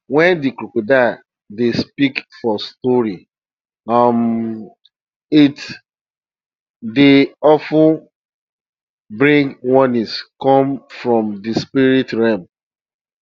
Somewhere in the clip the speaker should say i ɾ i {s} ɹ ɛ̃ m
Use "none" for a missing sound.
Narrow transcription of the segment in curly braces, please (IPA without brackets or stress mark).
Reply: t